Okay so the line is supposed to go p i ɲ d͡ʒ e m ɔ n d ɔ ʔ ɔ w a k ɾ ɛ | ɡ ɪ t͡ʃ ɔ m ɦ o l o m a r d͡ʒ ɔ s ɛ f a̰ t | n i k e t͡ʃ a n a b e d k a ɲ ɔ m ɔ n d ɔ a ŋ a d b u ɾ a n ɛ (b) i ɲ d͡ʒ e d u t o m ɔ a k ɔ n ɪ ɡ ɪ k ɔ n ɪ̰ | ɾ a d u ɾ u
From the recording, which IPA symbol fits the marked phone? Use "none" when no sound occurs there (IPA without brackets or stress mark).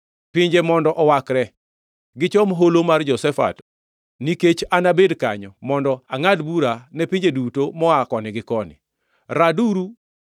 p